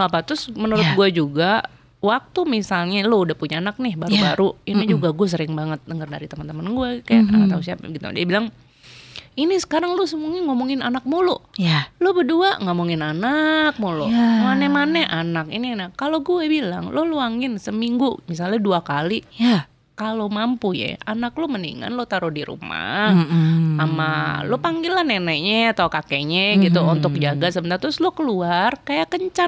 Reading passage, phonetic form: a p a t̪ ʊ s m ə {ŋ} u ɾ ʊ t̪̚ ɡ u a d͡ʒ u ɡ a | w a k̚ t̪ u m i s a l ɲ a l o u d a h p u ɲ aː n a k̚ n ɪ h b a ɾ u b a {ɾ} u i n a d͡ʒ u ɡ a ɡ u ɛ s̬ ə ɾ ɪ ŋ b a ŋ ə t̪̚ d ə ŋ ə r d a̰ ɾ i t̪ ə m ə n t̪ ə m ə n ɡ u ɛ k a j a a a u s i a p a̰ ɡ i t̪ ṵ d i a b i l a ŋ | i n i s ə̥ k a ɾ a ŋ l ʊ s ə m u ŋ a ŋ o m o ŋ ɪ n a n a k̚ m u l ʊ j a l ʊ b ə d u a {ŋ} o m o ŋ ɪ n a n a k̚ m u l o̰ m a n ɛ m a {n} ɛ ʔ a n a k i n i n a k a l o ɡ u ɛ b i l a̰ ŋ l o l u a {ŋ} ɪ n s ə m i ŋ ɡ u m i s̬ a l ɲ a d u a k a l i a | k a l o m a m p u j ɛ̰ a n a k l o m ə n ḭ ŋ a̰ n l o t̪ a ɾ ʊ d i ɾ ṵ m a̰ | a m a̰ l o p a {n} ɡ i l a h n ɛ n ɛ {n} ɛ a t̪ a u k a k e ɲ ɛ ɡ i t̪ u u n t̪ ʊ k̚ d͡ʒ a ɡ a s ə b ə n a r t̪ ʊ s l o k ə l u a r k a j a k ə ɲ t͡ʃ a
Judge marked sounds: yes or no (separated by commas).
no, yes, yes, yes, yes, no, no